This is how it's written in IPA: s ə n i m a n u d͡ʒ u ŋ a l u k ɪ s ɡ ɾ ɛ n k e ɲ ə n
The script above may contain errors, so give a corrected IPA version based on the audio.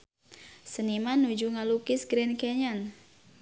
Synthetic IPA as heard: s ə n i m a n u d͡ʒ u ŋ a l u k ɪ s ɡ ɾ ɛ n k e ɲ a n